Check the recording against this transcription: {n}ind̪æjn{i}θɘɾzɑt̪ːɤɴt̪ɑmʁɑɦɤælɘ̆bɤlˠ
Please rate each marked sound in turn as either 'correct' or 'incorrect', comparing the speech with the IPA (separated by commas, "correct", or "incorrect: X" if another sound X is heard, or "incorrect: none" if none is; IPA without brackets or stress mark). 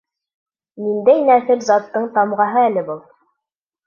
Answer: correct, incorrect: æ